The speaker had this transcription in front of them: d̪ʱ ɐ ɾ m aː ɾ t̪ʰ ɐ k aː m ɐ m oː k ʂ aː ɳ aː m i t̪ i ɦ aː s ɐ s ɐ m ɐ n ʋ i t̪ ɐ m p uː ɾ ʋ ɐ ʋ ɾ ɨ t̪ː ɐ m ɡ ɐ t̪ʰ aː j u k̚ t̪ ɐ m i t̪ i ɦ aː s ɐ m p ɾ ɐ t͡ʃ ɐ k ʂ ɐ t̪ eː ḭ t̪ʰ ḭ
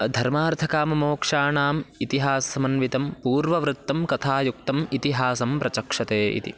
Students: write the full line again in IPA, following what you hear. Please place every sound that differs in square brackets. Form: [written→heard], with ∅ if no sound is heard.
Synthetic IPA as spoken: d̪ʱ ɐ ɾ m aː ɾ t̪ʰ ɐ k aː m ɐ m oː k ʂ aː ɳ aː m i t̪ i ɦ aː s ɐ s ɐ m ɐ n ʋ i t̪ ɐ m p uː ɾ ʋ ɐ ʋ ɾ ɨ t̪ː ɐ m [ɡ→k] ɐ t̪ʰ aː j u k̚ t̪ ɐ m i t̪ i ɦ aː s ɐ m p ɾ ɐ t͡ʃ ɐ k ʂ ɐ t̪ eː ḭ [t̪ʰ→t̪] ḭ